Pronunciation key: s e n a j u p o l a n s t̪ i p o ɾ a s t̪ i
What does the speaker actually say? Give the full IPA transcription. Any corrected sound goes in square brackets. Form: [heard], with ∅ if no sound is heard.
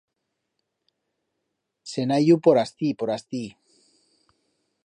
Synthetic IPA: s e n a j u p o [ɾ] a [∅] s t̪ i p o ɾ a s t̪ i

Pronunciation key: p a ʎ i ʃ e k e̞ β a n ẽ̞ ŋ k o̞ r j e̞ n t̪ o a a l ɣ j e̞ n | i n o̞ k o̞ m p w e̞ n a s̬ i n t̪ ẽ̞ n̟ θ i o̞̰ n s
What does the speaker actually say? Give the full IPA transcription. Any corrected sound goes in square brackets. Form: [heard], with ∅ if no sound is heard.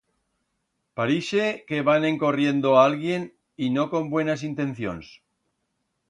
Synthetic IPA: p a [ɾ] i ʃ e k e̞ β a n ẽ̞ ŋ k o̞ r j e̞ n [d̪] o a a l ɣ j e̞ n | i n o̞ k o̞ m [b] w e̞ n a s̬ i n t̪ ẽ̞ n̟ θ [j] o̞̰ n s

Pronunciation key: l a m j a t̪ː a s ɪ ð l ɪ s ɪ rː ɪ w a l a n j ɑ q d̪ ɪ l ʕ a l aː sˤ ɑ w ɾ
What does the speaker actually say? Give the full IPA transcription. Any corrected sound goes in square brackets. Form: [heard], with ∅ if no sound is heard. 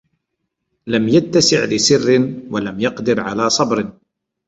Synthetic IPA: l a m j a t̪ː a s ɪ [ʕ] l ɪ s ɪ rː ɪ w a l a [m] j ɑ q d̪ ɪ [ɾ] ʕ a l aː sˤ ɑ [b] ɾ

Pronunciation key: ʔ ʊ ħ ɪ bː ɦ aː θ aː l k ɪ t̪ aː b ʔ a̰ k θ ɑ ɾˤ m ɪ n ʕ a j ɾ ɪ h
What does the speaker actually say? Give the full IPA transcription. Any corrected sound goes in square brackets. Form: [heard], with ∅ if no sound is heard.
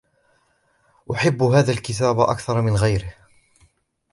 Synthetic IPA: ʔ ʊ ħ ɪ bː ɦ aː [ð] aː l k ɪ t̪ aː b ʔ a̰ k θ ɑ ɾˤ m ɪ n [ɣ] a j ɾ ɪ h

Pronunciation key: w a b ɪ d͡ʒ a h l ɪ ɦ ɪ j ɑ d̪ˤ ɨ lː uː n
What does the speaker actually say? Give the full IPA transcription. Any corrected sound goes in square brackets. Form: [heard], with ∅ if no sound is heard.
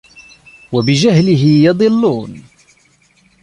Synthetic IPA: w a b ɪ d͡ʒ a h l ɪ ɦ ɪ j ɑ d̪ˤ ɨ lː uː n

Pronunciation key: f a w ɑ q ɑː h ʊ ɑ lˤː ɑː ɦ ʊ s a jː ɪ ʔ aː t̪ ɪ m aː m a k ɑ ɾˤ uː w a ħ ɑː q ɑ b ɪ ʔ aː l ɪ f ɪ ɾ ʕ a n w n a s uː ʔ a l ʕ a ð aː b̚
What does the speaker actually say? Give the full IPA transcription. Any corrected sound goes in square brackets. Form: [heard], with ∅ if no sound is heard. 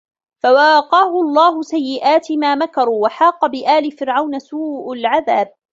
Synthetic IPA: f a w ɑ q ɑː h ʊ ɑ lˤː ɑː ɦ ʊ s a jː ɪ ʔ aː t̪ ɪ m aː m a k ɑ ɾˤ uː w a ħ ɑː q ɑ b ɪ ʔ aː l ɪ f ɪ ɾ ʕ a [∅] w n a s uː ʔ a l ʕ a ð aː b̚

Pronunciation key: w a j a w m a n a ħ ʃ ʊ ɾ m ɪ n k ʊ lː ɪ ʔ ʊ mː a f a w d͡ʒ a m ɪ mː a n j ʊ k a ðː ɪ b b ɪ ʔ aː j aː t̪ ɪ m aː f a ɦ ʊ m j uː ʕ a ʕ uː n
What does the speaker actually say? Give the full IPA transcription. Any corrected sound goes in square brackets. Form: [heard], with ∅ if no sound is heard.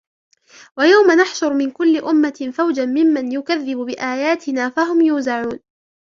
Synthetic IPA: w a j a w m a n a ħ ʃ ʊ ɾ m ɪ n k ʊ lː ɪ ʔ ʊ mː a f a w d͡ʒ a m ɪ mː a n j ʊ k a ðː ɪ b b ɪ ʔ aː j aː t̪ ɪ [n] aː f a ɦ ʊ m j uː [z] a ʕ uː n

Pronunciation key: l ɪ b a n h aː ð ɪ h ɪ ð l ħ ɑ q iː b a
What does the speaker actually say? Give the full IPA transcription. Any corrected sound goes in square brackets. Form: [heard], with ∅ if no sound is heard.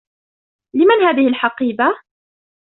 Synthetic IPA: l ɪ [m] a n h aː ð ɪ h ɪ [∅] l ħ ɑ q iː b a

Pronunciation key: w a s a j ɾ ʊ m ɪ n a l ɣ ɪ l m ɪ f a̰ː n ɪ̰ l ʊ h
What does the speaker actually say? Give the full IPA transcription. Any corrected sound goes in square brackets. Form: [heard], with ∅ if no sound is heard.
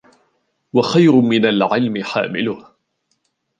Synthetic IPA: w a [x] a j ɾ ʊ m ɪ n a l [ʕ] ɪ l m ɪ [ħ] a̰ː [m] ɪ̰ l ʊ h

